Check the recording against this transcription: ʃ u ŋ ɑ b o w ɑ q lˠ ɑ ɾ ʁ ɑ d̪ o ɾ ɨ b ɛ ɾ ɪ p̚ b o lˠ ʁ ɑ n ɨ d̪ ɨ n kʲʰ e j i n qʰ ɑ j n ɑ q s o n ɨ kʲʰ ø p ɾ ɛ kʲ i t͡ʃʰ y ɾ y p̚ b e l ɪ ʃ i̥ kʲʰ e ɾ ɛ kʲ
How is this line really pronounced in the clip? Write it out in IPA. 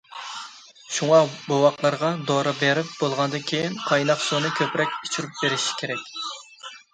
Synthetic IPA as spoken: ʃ u ŋ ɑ b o w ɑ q lˠ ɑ ɾ ʁ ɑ d̪ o ɾ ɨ b e ɾ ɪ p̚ b o lˠ ʁ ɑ n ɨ d̪ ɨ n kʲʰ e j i n qʰ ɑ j n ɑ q s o n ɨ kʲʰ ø p ɾ ɛ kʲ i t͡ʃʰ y ɾ y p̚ b e ɾ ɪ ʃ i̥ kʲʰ e ɾ ɛ kʲ